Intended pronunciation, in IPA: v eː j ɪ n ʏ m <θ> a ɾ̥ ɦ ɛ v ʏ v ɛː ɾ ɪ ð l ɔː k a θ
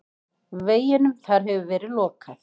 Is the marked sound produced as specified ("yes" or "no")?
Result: yes